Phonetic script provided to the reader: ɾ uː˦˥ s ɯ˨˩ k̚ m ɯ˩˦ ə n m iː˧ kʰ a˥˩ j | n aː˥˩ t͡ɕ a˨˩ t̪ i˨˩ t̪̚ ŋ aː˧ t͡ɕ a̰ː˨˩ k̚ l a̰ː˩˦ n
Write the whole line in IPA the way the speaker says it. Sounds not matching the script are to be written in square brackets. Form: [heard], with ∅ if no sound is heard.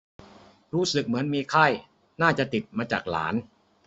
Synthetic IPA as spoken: ɾ uː˦˥ s ɯ˨˩ k̚ m ɯ˩˦ ə n m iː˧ kʰ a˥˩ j | n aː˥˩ t͡ɕ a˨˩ t̪ i˨˩ t̪̚ [m] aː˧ t͡ɕ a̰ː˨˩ k̚ l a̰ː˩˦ n